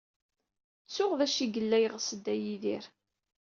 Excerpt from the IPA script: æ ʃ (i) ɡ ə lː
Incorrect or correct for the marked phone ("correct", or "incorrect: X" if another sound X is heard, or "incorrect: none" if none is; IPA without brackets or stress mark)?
correct